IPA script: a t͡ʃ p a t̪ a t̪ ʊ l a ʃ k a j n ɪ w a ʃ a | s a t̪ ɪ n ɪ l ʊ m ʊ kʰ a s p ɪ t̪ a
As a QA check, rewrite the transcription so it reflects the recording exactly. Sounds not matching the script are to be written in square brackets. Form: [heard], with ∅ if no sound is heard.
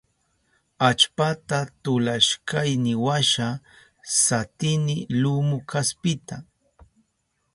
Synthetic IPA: a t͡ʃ p a t̪ a t̪ ʊ l a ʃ k a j n ɪ w a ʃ a | s a t̪ ɪ n ɪ l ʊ m ʊ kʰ a s p ɪ t̪ a